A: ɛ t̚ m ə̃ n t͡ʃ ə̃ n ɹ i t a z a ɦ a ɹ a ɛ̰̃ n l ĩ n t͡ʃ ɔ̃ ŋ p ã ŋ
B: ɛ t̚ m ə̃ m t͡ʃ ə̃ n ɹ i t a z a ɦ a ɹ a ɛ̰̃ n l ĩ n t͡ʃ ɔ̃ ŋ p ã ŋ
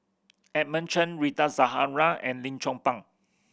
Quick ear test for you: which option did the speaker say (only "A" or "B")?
A